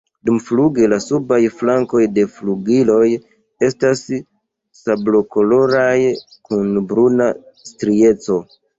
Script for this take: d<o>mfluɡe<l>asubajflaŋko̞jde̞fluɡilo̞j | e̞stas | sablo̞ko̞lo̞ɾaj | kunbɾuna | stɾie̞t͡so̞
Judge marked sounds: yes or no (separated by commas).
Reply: no, yes